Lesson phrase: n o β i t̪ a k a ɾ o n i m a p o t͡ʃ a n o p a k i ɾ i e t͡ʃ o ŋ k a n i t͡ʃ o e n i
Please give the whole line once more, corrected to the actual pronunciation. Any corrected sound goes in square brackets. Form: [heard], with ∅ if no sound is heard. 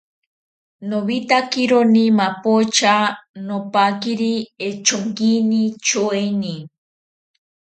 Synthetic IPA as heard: n o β i t̪ a k [i] ɾ o n i m a p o t͡ʃ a n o p a k i ɾ i e t͡ʃ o ŋ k [i] n i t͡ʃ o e n i